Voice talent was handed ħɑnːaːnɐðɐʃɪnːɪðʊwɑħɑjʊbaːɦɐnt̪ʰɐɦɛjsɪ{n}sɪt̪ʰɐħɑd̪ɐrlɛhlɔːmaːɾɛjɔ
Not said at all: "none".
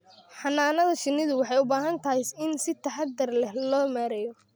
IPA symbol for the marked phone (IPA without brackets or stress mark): n